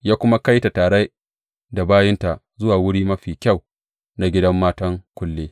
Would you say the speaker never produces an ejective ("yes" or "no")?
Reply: yes